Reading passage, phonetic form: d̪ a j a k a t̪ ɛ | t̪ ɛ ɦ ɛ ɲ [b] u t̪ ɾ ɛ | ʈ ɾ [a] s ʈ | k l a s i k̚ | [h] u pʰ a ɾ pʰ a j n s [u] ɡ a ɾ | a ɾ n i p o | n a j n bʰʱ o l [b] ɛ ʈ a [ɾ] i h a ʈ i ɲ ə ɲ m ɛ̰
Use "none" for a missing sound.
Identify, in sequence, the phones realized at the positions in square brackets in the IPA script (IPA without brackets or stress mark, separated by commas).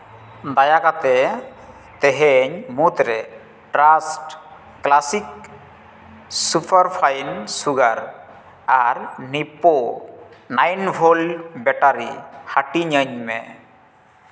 m, a, s, u, b, ɾ